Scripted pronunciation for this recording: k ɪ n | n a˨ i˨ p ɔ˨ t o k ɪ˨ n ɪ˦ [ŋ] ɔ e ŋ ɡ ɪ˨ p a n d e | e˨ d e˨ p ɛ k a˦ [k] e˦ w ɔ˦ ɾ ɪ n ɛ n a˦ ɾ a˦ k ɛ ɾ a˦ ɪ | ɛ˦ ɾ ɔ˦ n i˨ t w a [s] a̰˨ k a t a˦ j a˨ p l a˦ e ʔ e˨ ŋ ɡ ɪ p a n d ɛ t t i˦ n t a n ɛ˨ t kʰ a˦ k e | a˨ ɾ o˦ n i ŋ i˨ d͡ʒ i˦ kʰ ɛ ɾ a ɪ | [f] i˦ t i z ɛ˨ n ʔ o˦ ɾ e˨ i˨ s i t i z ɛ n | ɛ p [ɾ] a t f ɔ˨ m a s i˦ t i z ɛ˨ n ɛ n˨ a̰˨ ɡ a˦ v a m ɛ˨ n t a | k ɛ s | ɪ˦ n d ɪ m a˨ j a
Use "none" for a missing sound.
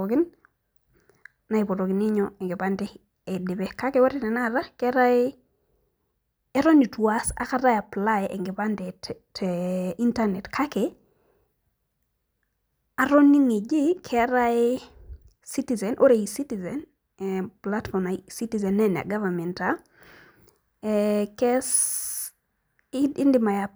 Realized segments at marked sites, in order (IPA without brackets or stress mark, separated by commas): ɲ, k, s, s, l